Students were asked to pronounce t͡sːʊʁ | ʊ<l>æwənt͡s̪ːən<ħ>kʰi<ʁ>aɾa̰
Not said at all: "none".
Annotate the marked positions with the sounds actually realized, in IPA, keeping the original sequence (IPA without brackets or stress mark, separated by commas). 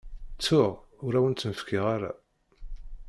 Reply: ɾ, f, ʁ